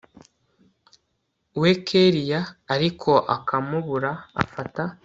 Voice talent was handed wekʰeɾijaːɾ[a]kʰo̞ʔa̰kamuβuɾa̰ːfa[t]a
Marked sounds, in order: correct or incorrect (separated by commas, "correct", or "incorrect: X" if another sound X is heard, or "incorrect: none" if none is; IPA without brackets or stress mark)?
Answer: incorrect: i, correct